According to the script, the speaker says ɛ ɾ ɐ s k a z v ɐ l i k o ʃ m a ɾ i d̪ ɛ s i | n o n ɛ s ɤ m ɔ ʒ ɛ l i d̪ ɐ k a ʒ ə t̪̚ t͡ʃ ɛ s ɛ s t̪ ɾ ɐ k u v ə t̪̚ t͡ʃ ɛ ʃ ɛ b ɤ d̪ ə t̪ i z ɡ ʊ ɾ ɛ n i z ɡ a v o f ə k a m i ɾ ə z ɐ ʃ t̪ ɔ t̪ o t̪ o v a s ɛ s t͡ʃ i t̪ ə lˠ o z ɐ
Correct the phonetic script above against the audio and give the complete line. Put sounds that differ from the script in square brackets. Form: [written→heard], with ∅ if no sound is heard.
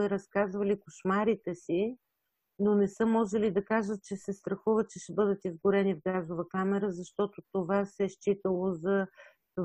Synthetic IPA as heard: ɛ ɾ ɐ s k a z v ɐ l i k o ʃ m a ɾ i [d̪→t̪] ɛ s i | n o n ɛ s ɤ m ɔ ʒ ɛ l i d̪ ɐ k a ʒ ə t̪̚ t͡ʃ ɛ s ɛ s t̪ ɾ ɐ [k→x] u v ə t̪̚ t͡ʃ ɛ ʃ ɛ b ɤ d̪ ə t̪ i z ɡ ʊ ɾ ɛ n i [z→v] ɡ a [v→z] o [f→v] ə k a m [i→ɛ] ɾ ə z ɐ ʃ t̪ ɔ t̪ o t̪ o v a s ɛ [s→ʃ] t͡ʃ i t̪ ə lˠ o z ɐ